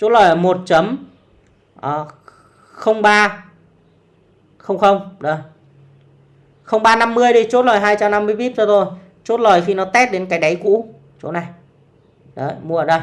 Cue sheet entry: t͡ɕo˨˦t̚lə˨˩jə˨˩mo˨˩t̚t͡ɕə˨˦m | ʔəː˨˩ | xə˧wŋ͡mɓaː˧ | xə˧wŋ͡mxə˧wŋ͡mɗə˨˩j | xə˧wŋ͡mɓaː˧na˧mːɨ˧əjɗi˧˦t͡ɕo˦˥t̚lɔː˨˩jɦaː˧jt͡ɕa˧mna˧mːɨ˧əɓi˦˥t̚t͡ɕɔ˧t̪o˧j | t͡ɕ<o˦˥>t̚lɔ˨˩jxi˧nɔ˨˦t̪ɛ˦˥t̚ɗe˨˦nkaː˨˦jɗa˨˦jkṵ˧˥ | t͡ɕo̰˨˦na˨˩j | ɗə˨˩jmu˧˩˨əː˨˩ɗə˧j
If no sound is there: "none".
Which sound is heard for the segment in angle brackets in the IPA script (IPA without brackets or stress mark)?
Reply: o˦˥